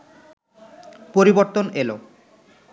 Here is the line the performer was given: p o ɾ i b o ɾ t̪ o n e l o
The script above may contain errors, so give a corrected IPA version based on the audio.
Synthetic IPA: p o ɾ i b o ɾ t̪ o n e l o